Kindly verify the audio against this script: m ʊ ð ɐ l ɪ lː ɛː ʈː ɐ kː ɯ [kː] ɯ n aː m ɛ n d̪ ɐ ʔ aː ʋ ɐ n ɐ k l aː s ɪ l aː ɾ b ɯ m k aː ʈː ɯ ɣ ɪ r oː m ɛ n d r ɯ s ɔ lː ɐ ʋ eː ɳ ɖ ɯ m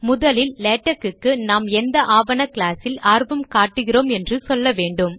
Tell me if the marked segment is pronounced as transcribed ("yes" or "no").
yes